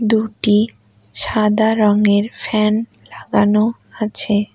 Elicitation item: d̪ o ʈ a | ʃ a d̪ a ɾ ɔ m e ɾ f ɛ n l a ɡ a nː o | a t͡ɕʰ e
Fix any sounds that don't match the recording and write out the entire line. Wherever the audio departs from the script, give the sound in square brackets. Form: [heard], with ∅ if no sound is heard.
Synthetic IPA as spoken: d̪ [u] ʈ [i] | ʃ a d̪ a ɾ ɔ [ŋ] e ɾ f ɛ n l a ɡ a [n] o | a t͡ɕʰ e